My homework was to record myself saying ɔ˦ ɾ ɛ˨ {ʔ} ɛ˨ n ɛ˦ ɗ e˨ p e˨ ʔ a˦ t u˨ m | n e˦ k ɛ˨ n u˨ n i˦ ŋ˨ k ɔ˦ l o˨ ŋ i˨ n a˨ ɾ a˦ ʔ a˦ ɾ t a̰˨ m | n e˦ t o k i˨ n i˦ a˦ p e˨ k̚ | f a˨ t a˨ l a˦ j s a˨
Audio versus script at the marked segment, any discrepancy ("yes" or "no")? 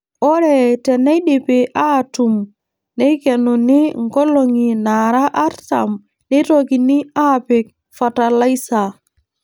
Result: yes